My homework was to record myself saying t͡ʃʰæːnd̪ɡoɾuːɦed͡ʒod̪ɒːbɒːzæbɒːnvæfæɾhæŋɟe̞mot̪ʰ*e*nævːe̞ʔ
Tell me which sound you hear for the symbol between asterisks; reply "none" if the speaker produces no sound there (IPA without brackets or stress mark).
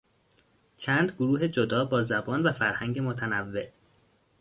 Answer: æ